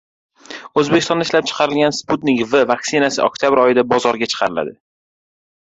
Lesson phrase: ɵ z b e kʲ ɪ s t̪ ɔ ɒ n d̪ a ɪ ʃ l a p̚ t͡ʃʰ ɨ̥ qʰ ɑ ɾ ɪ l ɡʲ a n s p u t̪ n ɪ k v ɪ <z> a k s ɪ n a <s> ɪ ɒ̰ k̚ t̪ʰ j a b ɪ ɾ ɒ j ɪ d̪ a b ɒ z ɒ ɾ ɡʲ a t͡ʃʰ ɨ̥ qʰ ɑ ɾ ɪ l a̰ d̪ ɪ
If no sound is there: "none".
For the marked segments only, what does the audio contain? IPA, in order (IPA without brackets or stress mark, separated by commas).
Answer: v, s